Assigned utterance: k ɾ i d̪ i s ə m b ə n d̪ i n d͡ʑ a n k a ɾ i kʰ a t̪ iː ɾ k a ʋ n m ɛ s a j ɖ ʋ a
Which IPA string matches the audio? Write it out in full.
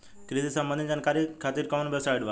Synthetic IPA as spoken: k ɾ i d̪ i s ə m b ə n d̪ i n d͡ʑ a n k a ɾ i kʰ a t̪ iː ɾ k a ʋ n b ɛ s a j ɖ ʋ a